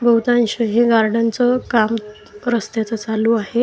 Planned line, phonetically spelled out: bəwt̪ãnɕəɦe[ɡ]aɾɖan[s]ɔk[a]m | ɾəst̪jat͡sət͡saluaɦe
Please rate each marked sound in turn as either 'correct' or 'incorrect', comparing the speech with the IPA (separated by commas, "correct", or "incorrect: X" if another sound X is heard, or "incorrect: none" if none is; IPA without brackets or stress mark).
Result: correct, incorrect: t͡s, correct